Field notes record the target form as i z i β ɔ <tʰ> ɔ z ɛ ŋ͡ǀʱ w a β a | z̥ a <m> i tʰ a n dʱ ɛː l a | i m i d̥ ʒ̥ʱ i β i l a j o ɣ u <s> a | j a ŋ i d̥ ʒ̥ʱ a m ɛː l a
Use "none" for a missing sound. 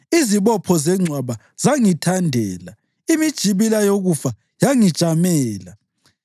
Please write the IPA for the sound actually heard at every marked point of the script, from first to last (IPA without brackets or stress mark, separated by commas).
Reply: pʰ, ŋ, f